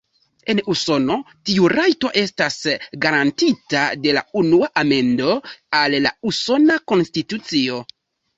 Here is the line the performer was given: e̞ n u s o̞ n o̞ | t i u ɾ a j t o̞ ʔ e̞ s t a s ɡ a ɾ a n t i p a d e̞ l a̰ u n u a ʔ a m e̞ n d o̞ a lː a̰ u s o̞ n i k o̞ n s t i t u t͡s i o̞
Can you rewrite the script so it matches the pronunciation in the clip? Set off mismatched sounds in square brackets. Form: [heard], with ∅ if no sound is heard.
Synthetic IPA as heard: e̞ n u s o̞ n o̞ | t i u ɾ a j t o̞ ʔ e̞ s t a s ɡ a ɾ a n t i [t] a d e̞ l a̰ u n u a ʔ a m e̞ n d o̞ a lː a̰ u s o̞ n [a] k o̞ n s t i t u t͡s i o̞